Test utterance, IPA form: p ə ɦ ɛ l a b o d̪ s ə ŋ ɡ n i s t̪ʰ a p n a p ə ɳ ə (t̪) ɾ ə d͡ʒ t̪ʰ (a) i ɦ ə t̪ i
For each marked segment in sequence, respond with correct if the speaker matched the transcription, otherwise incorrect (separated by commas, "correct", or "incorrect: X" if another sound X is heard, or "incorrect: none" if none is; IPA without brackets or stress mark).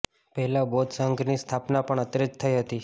correct, incorrect: ə